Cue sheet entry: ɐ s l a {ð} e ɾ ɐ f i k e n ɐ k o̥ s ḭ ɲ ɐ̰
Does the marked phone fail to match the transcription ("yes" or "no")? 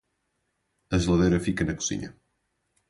no